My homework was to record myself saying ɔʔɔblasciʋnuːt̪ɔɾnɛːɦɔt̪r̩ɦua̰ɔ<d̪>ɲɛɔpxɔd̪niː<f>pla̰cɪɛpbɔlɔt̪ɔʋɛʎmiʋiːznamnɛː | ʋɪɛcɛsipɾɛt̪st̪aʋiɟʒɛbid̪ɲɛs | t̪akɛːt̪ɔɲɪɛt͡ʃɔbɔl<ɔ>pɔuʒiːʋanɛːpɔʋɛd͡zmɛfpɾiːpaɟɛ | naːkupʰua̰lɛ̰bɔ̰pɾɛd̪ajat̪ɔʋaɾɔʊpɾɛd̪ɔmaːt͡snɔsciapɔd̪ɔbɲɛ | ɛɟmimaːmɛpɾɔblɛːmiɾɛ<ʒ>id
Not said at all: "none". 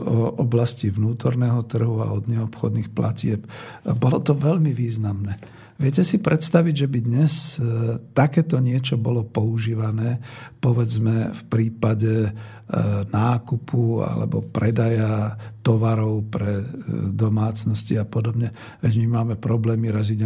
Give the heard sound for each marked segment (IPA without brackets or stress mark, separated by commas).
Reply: d̪, x, ɔ, z